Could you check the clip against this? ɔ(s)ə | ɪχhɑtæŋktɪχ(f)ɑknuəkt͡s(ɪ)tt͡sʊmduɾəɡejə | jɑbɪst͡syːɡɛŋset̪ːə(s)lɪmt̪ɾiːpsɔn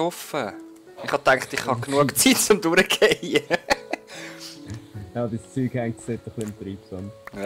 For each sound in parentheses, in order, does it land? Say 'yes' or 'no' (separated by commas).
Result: no, no, no, no